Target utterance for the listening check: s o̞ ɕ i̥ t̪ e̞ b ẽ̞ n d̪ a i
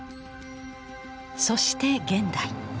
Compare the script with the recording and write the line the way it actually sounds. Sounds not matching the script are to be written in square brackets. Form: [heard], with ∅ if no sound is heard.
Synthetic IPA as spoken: s o̞ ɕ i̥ t̪ e̞ [ɡ] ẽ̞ n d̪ a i